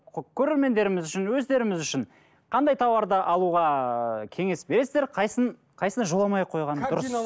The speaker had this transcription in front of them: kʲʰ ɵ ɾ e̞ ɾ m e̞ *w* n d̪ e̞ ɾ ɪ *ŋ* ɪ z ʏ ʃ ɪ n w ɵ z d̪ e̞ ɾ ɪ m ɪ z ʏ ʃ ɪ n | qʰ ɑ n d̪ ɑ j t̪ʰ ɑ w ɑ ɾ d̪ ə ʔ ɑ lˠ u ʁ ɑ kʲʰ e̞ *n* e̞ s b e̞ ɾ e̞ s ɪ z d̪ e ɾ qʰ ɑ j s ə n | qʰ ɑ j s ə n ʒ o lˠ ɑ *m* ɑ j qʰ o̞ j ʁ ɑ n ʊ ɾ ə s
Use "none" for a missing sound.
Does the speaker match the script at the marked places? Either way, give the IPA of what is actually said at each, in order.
none, m, ŋ, m

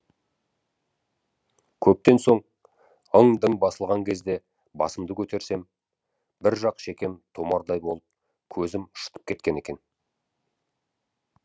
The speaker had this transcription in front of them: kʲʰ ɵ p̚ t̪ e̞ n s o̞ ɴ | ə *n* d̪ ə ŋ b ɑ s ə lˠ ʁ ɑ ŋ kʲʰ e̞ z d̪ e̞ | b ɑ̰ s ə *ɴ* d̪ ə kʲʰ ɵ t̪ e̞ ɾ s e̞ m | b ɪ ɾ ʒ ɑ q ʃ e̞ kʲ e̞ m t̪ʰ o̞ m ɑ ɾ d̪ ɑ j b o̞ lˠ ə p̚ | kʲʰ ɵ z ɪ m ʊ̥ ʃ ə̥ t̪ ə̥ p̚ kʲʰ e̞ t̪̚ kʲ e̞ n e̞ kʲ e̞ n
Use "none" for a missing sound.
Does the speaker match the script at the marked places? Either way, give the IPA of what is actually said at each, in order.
ŋ, m

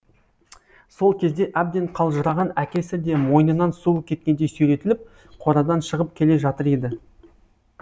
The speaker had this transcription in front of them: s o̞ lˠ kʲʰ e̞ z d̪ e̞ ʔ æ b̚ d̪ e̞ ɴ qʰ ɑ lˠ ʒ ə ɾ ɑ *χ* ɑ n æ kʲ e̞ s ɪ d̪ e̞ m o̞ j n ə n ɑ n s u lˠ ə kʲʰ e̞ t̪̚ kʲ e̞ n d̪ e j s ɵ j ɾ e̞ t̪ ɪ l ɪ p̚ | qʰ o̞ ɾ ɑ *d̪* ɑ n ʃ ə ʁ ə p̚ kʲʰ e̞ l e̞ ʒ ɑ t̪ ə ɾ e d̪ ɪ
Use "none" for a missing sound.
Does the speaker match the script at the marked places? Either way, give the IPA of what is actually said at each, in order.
ʁ, d̪

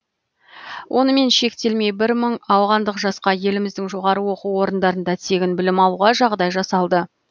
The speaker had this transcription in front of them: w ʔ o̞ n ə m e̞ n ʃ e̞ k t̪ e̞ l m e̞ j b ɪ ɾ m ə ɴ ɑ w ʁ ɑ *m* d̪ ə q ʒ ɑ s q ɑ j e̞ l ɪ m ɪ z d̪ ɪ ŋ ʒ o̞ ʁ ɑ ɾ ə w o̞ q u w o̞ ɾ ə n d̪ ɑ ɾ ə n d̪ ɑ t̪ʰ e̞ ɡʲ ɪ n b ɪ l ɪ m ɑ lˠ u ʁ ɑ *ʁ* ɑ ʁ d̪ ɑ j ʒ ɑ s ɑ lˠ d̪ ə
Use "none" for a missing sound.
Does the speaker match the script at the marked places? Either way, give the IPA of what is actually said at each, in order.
n, ʒ

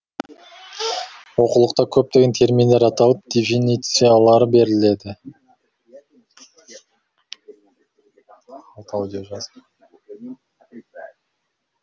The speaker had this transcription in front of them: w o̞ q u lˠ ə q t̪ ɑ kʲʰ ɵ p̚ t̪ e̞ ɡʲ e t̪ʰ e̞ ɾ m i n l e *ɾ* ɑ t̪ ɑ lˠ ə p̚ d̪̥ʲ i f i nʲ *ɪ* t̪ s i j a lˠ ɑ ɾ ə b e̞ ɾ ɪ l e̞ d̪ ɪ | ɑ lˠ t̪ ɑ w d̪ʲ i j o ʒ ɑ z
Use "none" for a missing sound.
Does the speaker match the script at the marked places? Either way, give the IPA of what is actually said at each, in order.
ɾ, i

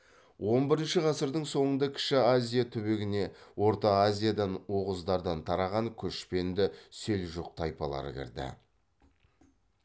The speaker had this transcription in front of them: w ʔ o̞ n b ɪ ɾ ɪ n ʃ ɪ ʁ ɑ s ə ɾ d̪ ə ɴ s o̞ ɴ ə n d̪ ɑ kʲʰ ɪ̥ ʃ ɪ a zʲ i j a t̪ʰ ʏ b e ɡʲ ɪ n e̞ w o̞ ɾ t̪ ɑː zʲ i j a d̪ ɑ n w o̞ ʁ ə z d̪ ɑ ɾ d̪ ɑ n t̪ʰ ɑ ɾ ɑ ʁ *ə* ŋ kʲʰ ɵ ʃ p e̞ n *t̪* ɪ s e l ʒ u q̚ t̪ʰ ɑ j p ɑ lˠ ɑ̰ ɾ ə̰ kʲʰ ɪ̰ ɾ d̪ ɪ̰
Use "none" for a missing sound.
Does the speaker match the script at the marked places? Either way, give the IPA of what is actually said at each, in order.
ɑ, d̪

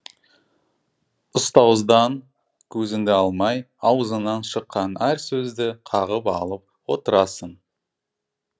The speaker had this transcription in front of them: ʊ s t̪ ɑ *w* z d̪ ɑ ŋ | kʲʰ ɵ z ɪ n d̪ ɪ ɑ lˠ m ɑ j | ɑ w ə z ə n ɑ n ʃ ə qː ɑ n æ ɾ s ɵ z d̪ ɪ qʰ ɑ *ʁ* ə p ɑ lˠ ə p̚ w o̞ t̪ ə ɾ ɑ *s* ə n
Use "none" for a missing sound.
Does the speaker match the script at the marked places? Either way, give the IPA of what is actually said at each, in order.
w, ʁ, s

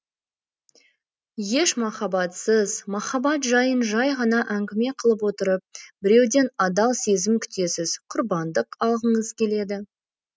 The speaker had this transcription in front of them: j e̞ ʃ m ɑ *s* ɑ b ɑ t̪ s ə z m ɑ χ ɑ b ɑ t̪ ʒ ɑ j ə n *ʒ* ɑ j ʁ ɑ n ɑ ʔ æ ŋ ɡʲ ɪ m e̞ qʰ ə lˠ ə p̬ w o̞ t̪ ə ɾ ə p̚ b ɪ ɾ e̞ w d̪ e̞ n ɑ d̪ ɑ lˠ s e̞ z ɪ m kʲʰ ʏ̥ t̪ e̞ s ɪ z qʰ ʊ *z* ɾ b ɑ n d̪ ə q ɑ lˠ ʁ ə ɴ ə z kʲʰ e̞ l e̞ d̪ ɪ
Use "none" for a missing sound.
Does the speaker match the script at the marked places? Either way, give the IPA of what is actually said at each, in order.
χ, ʒ, none

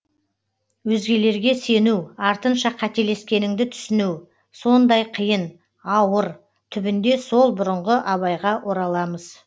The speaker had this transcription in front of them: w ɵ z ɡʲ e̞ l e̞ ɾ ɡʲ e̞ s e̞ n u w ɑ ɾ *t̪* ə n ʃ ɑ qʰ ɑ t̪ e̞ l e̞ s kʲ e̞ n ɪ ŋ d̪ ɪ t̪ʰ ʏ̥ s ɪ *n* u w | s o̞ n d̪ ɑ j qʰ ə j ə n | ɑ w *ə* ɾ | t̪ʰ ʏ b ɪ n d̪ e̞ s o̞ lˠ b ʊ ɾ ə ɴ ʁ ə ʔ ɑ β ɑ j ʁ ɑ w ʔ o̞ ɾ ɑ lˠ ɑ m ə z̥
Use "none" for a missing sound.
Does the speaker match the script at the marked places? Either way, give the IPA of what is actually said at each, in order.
t̪, n, ə

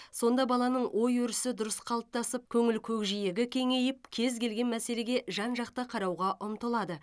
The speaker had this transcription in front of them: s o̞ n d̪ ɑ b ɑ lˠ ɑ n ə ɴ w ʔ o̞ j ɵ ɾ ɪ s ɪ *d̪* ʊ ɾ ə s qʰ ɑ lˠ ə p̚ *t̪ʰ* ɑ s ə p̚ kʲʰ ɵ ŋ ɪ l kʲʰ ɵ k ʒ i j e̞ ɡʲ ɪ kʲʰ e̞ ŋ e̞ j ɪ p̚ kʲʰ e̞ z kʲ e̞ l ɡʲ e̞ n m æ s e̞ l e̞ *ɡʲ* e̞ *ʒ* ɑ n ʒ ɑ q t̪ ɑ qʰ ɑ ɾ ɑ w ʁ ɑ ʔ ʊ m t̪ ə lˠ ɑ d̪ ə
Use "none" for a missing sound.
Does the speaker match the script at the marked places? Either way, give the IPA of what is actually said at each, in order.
d̪, t̪, ɡʲ, ʒ

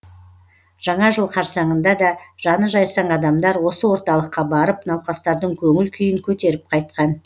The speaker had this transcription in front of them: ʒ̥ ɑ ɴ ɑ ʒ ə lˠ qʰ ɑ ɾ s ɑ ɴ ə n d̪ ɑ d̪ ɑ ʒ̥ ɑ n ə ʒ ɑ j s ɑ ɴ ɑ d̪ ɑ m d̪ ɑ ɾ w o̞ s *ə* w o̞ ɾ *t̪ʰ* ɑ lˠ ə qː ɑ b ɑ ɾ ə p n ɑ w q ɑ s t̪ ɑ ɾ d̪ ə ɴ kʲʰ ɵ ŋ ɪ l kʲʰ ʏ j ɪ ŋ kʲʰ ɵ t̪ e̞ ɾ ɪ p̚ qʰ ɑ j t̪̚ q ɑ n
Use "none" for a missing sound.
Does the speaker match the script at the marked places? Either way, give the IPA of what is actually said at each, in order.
ə, t̪

